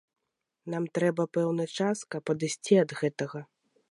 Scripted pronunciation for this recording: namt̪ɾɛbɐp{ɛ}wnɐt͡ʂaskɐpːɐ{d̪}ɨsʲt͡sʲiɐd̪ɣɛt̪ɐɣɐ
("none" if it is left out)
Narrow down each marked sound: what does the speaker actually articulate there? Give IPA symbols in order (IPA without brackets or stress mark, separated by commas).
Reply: ɛ, d̪